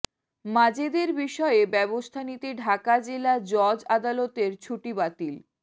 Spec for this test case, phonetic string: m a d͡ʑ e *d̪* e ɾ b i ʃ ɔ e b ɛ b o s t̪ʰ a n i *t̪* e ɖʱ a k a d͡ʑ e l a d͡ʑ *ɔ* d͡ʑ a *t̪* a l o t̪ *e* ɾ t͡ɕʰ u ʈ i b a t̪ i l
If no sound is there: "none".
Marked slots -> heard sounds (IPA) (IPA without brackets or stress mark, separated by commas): d̪, t̪, ɔ, d̪, e